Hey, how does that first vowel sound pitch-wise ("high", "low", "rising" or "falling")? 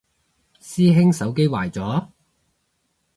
high